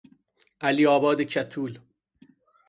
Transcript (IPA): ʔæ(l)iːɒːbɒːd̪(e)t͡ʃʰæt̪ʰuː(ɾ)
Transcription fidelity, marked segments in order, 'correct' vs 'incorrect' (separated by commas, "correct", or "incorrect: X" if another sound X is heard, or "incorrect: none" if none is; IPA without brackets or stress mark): correct, correct, incorrect: l